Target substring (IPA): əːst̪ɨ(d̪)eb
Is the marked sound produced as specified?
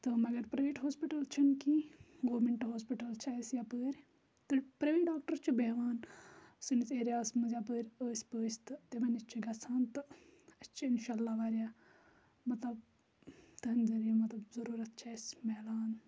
no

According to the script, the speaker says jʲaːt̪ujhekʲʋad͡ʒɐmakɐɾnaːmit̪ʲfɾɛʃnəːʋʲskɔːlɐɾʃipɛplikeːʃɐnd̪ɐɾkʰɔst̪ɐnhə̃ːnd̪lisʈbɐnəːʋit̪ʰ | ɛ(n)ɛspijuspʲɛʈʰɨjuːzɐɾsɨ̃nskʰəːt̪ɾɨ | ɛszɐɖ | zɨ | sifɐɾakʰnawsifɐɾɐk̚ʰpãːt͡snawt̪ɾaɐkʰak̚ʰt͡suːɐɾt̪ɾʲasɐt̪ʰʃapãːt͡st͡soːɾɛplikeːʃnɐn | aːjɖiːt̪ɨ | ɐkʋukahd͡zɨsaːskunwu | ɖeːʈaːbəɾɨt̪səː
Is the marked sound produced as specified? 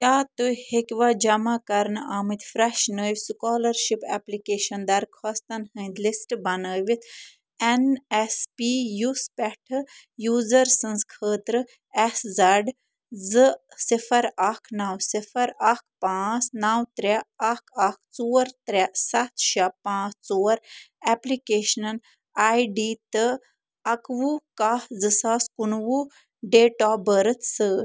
yes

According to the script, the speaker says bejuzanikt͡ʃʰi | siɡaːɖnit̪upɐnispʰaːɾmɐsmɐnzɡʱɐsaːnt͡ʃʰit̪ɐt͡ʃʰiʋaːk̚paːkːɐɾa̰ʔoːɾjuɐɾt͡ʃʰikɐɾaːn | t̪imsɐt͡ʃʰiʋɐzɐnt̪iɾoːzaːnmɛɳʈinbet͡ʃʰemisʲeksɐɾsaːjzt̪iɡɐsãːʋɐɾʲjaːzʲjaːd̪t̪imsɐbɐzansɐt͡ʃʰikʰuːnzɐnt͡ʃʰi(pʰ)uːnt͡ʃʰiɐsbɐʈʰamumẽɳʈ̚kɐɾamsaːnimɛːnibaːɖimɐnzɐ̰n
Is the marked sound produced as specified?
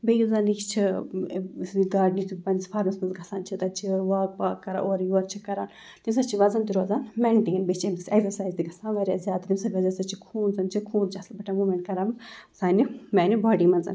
no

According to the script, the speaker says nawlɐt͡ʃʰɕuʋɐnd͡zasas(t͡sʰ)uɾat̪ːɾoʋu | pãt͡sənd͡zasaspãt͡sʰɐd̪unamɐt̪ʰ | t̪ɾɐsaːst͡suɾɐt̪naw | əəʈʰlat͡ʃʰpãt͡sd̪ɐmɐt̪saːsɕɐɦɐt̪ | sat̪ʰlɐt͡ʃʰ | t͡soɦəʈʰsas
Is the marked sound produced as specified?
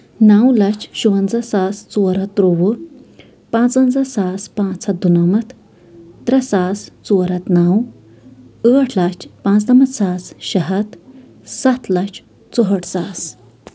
no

